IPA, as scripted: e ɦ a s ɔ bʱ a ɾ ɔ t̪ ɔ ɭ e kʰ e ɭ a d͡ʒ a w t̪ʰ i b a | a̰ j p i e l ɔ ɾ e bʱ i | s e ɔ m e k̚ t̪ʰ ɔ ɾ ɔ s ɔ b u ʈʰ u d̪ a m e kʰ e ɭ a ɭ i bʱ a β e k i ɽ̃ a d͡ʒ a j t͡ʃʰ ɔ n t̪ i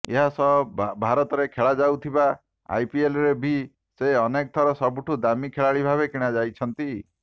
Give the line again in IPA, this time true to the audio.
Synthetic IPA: e ɦ a s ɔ bʱ a ɾ ɔ t̪ ɔ ɾ e kʰ e ɭ a d͡ʒ a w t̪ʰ i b a | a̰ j p i e l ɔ ɾ e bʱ i | s e ɔ n e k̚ t̪ʰ ɔ ɾ ɔ s ɔ b u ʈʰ u d̪ a m i kʰ e ɭ a ɭ i bʱ a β e k i ɽ̃ a d͡ʒ a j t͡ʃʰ ɔ n t̪ i